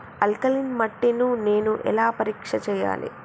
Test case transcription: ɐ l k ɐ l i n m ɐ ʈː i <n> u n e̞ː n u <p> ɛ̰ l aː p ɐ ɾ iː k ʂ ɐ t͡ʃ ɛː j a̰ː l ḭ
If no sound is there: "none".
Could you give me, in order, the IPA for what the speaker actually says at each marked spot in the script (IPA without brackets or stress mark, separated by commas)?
n, ʔ